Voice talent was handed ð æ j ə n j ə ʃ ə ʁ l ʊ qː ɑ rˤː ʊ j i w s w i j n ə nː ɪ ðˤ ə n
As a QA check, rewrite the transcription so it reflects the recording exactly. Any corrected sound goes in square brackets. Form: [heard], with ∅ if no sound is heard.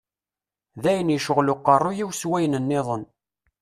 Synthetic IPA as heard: ð æ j ə n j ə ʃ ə ʁ l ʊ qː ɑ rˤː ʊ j i w s w [æ] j n ə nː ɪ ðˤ ə n